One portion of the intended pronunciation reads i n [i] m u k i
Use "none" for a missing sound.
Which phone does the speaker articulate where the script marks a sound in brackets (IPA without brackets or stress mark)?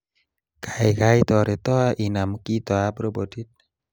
a